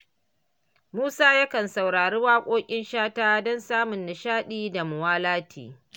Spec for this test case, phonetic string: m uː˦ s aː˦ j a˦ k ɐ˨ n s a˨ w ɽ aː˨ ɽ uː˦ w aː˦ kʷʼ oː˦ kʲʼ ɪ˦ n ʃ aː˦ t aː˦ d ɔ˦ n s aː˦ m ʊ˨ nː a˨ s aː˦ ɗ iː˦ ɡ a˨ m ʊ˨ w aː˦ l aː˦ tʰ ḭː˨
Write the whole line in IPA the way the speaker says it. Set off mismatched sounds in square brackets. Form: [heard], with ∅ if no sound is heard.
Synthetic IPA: m uː˦ s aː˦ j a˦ k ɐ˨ n s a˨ w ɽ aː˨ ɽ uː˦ w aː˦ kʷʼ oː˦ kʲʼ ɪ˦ n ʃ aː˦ t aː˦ d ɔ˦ n s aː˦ m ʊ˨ nː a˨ [ʃ] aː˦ ɗ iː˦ [d] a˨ m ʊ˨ w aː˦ l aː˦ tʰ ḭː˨